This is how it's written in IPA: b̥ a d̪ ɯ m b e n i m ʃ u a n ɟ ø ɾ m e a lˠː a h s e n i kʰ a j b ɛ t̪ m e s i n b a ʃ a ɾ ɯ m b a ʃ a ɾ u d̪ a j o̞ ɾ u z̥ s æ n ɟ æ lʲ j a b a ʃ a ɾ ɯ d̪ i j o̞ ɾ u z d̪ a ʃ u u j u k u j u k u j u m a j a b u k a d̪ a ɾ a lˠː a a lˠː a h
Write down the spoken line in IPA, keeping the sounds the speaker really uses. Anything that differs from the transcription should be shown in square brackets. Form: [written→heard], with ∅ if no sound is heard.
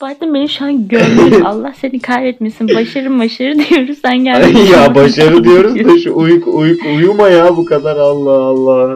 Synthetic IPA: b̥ a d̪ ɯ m b e n i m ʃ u a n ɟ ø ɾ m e a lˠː a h s e n i kʰ a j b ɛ t̪ m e s i n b a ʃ a ɾ ɯ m b a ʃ a ɾ [u→ɯ] d̪ [a→i] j o̞ ɾ u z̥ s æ n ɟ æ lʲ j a b a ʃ a ɾ ɯ d̪ i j o̞ ɾ u z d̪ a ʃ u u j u k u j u k u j u m a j a b u k a d̪ a ɾ a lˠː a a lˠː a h